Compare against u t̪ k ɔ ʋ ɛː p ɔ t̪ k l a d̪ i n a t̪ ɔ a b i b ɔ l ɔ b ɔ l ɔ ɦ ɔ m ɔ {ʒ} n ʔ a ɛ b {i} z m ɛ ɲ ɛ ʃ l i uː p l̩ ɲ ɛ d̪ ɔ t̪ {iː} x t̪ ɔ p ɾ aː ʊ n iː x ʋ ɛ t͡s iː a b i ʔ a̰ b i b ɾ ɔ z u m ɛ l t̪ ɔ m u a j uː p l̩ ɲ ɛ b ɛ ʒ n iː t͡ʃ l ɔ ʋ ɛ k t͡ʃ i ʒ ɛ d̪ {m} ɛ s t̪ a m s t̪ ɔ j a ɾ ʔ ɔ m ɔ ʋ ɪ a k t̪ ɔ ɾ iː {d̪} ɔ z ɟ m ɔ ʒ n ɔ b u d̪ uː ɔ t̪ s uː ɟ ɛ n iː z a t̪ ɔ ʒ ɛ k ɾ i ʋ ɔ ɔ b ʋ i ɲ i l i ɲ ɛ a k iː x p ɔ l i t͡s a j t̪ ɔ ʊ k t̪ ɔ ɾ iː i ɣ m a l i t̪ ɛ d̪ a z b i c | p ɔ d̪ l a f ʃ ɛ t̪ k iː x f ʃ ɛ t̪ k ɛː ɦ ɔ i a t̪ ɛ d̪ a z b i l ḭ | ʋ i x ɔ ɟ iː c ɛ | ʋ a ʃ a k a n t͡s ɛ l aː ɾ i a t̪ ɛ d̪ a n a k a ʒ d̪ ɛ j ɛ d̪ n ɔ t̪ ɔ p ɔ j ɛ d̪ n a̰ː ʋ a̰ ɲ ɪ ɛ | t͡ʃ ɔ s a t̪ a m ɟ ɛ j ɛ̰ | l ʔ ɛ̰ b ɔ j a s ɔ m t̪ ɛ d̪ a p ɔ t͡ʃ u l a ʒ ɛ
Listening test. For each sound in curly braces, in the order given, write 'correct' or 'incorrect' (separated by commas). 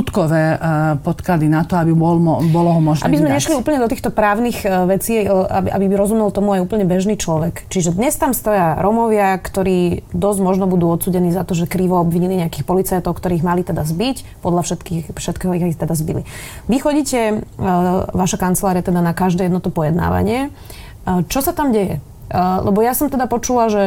correct, correct, correct, incorrect, correct